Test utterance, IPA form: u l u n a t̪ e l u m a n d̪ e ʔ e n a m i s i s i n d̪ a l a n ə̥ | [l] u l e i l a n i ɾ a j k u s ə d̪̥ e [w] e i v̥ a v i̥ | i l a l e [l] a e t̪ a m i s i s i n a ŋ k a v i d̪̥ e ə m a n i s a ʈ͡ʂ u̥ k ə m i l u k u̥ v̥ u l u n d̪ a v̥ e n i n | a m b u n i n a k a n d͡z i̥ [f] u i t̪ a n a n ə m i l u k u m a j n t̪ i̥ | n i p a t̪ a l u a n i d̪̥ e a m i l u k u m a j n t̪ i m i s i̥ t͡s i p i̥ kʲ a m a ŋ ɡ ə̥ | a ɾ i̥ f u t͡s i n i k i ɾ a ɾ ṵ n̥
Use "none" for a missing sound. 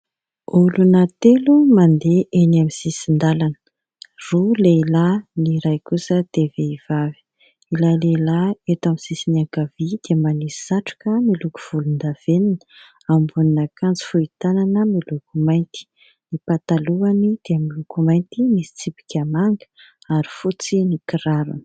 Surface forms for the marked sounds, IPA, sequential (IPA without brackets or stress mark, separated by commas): r, v, l, f